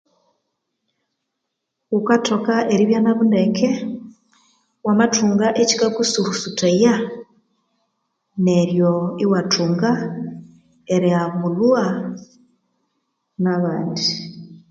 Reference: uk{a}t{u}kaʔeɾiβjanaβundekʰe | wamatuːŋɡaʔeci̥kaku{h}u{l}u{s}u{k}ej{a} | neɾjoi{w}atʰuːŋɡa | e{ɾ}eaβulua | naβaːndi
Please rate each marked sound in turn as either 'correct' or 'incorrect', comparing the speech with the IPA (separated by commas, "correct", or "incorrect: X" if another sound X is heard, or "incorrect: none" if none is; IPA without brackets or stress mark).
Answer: correct, incorrect: o, incorrect: s, incorrect: ɾ, correct, incorrect: t, correct, correct, correct